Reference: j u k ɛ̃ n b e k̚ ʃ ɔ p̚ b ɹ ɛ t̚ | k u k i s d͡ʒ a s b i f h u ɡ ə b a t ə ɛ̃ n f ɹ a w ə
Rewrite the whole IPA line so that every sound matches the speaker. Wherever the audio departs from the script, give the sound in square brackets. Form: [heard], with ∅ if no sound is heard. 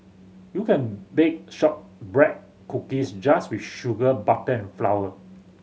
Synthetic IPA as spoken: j u k ɛ̃ n b e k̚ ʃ ɔ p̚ b ɹ ɛ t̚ | k u k i s d͡ʒ a s [w] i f [ʃ] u ɡ ə b a t ə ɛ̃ n f [l] a w ə